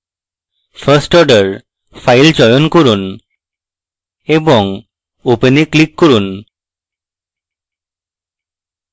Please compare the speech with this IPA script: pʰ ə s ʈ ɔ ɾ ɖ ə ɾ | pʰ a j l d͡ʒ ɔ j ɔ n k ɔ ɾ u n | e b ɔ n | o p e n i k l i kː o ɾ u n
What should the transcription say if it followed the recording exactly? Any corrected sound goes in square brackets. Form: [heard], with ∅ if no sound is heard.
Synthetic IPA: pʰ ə s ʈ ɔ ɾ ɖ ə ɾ | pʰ a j l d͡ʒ ɔ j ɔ n k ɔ ɾ u n | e b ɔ [ŋ] | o p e n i k l i kː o ɾ u n